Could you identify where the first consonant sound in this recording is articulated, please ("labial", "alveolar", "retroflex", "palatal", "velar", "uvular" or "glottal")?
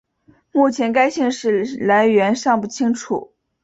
labial